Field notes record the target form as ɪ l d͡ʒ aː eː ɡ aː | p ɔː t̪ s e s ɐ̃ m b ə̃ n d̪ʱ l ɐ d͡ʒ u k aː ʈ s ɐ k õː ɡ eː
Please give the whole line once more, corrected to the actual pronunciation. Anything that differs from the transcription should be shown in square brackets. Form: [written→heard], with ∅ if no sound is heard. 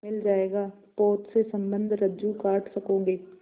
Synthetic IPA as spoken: ɪ l d͡ʒ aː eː ɡ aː | p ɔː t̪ s e s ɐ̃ m b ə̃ n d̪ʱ [l→ɾ] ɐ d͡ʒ u k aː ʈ s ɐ k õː ɡ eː